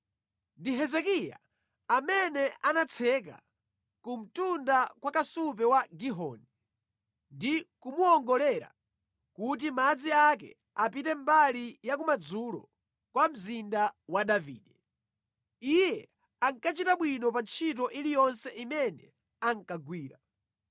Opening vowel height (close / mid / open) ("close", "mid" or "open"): close